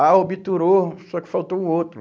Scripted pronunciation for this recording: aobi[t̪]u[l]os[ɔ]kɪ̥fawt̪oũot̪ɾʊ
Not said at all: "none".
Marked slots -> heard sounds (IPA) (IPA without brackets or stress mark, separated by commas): t̪, ɾ, ɔ